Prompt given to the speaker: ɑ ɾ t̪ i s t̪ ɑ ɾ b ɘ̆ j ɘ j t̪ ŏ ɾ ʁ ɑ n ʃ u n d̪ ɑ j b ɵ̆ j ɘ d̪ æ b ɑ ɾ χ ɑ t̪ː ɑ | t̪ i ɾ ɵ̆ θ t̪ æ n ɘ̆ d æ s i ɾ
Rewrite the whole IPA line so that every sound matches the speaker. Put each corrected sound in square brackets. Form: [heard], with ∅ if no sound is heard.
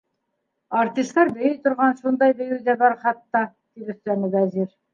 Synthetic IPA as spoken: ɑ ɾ t̪ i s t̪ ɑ ɾ b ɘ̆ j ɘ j t̪ ŏ ɾ ʁ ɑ n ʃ u n d̪ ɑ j b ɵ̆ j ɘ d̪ æ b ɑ ɾ χ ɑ t̪ː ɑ | t̪ i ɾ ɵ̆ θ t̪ æ n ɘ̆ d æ [z] i ɾ

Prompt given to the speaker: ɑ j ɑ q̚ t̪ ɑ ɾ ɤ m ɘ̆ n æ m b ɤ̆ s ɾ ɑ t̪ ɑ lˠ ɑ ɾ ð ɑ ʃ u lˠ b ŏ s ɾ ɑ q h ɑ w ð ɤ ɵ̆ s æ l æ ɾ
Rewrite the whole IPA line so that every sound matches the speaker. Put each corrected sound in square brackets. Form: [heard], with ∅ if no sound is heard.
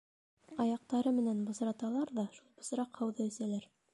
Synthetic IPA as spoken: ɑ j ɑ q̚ t̪ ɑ ɾ ɤ m ɘ̆ n æ [n] b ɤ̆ s ɾ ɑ t̪ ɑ lˠ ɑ ɾ ð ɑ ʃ u lˠ b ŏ s ɾ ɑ q h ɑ w ð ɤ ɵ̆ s æ l æ ɾ

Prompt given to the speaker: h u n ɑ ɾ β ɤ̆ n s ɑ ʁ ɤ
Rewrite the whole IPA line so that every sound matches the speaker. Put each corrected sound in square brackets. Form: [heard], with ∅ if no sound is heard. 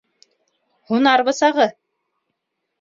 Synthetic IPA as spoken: h u n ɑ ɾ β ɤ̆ [∅] s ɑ ʁ ɤ

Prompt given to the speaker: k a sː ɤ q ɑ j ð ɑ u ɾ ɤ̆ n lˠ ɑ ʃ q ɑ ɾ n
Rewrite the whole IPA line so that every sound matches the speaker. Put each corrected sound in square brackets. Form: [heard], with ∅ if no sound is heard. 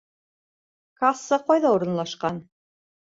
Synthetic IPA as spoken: k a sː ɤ q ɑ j ð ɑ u ɾ ɤ̆ n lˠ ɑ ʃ q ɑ [∅] n

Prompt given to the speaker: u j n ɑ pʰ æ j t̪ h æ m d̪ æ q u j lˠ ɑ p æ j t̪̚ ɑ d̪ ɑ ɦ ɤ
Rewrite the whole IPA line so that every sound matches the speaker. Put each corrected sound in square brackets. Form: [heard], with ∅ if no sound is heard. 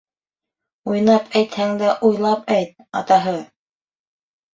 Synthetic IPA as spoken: u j n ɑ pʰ æ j t̪ h æ [ŋ] d̪ æ [ʔ] u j lˠ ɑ p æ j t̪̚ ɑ [t̪] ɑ ɦ ɤ

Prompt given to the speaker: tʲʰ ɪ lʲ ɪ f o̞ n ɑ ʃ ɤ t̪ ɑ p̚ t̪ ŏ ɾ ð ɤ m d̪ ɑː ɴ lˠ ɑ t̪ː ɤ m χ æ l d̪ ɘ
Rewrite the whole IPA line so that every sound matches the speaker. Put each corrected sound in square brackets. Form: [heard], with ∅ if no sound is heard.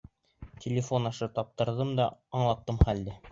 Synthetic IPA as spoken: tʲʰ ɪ lʲ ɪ f o̞ n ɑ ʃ ɤ t̪ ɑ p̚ t̪ [ɤ̆] ɾ ð ɤ m d̪ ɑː ɴ lˠ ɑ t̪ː ɤ m χ æ l d̪ ɘ

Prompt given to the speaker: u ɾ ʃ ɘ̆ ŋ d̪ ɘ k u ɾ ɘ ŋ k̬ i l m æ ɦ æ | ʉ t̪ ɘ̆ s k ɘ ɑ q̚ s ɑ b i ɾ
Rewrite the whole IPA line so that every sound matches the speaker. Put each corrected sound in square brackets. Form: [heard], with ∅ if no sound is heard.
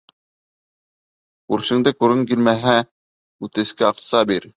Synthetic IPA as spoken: u ɾ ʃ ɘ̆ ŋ d̪ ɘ k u ɾ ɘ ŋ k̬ i l m æ ɦ æ | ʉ t̪ ɘ̆ s k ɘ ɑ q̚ s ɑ b i ɾ

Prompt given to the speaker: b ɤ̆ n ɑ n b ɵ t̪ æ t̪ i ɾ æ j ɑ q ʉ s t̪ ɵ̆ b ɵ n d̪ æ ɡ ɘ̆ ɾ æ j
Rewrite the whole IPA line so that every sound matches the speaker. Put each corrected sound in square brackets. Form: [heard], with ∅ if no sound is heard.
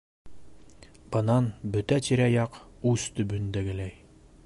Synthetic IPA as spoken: b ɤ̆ n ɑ n b ɵ t̪ æ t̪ i ɾ æ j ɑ q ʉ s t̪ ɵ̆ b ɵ n d̪ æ ɡ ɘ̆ [l] æ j

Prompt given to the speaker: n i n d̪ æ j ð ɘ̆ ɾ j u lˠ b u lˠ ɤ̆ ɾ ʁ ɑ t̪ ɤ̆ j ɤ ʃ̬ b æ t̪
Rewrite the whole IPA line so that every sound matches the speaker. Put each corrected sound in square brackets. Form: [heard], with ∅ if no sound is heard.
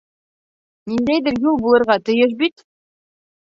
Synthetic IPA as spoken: n i n d̪ æ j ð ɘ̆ ɾ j u lˠ b u lˠ ɤ̆ ɾ ʁ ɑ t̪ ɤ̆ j ɤ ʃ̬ b [i] t̪

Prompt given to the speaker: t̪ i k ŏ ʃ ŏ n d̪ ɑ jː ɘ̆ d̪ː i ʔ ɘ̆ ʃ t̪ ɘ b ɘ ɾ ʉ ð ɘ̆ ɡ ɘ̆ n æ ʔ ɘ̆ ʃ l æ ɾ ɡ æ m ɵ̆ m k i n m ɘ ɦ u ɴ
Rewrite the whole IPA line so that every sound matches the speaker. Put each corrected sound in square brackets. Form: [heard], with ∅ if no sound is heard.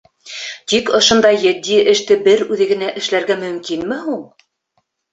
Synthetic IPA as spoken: t̪ i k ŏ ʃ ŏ n d̪ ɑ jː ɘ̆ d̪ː i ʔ ɘ̆ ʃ t̪ ɘ b ɘ ɾ ʉ ð ɘ̆ ɡ ɘ̆ n æ ʔ ɘ̆ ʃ l æ ɾ ɡ æ m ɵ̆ m k i n m ɘ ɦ u ɴ

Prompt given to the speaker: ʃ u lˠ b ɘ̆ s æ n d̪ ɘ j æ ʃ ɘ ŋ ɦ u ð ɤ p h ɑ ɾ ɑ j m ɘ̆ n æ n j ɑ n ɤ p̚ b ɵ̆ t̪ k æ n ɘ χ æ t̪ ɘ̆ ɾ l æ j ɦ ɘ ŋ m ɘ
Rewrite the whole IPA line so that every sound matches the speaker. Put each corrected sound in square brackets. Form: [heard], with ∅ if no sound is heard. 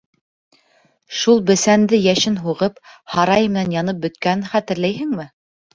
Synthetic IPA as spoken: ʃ u lˠ b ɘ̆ s æ n d̪ ɘ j æ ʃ ɘ [n] ɦ u [ʁ] ɤ p h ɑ ɾ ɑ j m ɘ̆ n æ n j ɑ n ɤ p̚ b ɵ̆ t̪ k æ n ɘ χ æ t̪ ɘ̆ ɾ l æ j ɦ ɘ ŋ m ɘ

